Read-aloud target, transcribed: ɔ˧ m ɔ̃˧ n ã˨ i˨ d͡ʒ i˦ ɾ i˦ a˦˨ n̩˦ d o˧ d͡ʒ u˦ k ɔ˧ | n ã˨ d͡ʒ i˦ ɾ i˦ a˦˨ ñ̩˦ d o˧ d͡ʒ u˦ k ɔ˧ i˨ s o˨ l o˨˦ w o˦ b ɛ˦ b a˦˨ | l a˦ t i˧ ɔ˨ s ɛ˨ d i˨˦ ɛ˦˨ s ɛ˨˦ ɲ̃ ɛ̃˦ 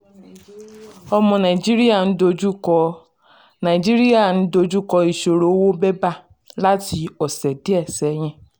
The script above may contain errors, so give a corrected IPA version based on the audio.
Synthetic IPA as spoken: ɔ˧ m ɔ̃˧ n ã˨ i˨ d͡ʒ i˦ ɾ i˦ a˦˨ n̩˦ d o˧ d͡ʒ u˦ k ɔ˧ | n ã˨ d͡ʒ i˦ ɾ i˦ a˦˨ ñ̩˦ d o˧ d͡ʒ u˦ k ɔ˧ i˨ ʃ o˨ ɾ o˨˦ w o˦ b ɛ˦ b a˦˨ | l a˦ t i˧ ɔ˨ s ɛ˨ d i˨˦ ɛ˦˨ s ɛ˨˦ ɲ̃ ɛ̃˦